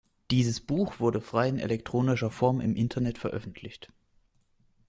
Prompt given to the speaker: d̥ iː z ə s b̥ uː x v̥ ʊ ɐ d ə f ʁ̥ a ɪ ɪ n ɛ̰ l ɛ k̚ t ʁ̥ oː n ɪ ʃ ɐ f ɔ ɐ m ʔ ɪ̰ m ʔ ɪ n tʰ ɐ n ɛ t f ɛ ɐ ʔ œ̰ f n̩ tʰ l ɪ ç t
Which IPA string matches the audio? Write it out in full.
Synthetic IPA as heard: d̥ iː z ə s b̥ uː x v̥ ʊ ɐ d ə f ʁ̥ a ɪ ɪ n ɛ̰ l ɛ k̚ t ʁ̥ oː n ɪ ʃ ɐ f ɔ ɐ m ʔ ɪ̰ m ʔ ɪ n tʰ ɐ n ɛ t f ɛ ɐ ʔ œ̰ f n̩ tʰ l ɪ ç t